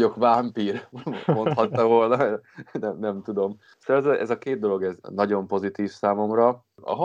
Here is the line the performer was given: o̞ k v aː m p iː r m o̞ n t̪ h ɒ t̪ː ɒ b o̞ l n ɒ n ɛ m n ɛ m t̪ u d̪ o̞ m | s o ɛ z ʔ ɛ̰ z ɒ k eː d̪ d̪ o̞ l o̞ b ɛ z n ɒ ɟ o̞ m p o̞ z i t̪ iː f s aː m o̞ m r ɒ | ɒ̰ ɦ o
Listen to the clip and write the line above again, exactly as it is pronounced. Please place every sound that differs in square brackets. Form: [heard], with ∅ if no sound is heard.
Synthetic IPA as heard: o̞ k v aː m p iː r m o̞ n t̪ h ɒ t̪ː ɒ [v] o̞ l n ɒ n ɛ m n ɛ m t̪ u d̪ o̞ m | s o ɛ z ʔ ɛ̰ z ɒ k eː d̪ d̪ o̞ l o̞ [ɡ] ɛ z n ɒ ɟ o̞ m p o̞ z i t̪ iː f s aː m o̞ m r ɒ | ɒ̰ ɦ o